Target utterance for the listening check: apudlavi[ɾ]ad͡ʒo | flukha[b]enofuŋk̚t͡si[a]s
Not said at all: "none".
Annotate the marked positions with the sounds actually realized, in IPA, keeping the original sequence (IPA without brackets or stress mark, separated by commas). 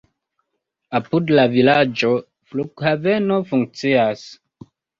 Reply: l, v, a